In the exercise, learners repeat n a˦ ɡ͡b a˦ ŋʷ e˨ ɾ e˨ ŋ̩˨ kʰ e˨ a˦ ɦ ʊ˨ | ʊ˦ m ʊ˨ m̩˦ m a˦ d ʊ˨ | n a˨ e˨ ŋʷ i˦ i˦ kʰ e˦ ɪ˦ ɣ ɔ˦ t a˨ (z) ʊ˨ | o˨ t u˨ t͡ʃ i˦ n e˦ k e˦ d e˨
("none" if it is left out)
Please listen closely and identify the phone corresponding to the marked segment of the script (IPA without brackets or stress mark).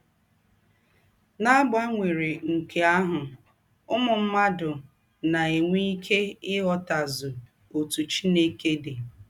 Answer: z